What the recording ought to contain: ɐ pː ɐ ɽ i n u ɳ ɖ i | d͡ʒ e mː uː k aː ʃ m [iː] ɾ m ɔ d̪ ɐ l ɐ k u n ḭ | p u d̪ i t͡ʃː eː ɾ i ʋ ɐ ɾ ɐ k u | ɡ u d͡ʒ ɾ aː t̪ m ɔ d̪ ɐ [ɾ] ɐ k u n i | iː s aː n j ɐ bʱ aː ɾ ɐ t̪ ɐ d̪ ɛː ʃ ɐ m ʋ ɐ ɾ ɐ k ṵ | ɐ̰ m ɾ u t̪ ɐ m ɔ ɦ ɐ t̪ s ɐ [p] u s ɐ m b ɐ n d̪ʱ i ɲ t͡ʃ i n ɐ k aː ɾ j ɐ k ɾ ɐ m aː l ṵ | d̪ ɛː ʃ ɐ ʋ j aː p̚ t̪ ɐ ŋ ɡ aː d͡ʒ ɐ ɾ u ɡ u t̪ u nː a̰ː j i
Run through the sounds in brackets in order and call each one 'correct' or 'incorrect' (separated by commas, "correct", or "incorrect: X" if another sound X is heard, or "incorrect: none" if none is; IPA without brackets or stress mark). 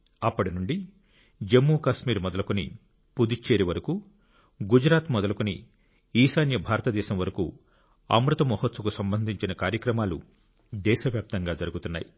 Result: correct, incorrect: l, incorrect: k